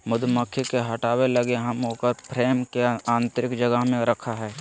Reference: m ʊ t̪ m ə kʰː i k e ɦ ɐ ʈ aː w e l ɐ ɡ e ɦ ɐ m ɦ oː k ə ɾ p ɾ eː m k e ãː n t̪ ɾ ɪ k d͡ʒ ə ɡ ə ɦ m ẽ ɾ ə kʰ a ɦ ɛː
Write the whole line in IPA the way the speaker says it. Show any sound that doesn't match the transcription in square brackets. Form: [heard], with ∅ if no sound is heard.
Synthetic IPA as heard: m ʊ [d̪] m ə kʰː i k e ɦ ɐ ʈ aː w e l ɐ ɡ e ɦ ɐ m ɦ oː k ə ɾ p ɾ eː m k e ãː n t̪ ɾ ɪ k d͡ʒ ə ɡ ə ɦ m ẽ ɾ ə kʰ a ɦ ɛː